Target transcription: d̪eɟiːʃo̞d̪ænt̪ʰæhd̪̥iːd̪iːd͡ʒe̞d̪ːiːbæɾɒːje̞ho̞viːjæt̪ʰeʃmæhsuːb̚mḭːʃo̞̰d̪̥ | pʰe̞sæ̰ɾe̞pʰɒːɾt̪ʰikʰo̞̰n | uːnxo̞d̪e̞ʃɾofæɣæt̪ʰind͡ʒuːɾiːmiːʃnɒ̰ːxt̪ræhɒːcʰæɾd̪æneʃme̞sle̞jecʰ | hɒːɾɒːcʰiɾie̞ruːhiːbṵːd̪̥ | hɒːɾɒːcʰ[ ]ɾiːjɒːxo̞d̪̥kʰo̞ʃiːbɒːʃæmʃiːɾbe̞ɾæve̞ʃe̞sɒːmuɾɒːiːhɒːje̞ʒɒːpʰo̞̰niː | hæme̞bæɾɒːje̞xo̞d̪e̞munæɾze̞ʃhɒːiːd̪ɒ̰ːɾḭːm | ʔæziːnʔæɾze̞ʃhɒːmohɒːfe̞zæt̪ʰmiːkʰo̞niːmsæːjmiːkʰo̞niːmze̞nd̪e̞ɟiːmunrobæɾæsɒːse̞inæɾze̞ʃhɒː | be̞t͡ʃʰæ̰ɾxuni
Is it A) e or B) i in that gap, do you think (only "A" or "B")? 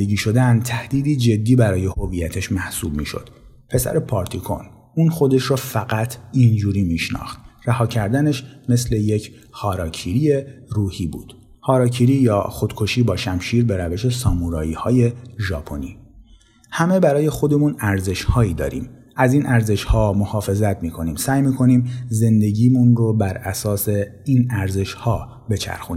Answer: B